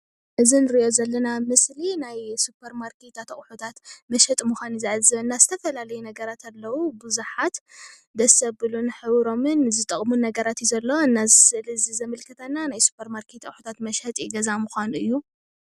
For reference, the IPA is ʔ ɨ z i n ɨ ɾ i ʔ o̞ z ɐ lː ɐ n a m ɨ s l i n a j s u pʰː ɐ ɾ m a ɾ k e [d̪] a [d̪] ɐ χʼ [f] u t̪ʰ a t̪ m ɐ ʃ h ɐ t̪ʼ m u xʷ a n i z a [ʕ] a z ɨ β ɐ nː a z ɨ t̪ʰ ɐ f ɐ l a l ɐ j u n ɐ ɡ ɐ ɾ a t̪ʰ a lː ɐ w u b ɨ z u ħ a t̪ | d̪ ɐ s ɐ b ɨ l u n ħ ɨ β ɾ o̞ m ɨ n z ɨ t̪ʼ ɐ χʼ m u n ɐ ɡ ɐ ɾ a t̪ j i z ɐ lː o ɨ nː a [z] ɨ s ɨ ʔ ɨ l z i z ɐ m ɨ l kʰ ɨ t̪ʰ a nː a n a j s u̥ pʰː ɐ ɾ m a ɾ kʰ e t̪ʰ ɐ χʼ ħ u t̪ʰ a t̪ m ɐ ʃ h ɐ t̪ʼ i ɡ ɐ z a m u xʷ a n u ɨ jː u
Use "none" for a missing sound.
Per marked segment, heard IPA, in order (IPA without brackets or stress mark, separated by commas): t̪, t̪, ħ, ʕ, z